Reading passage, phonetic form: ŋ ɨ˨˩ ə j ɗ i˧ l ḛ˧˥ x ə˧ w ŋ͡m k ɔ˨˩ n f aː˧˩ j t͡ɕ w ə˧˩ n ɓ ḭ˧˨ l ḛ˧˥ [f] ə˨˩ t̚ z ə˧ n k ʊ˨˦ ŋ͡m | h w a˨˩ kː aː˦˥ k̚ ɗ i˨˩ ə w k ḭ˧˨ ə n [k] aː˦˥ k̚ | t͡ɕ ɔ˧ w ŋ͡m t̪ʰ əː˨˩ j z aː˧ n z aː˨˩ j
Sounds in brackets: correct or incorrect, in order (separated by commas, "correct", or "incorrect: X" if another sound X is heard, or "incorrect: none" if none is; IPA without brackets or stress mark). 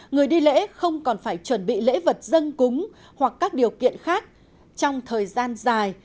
incorrect: v, incorrect: x